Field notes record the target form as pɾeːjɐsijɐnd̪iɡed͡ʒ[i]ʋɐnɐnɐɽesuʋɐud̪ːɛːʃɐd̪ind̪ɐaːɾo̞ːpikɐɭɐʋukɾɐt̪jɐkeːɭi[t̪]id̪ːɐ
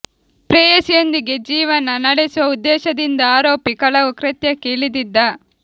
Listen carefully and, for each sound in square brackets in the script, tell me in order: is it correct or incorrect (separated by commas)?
incorrect, incorrect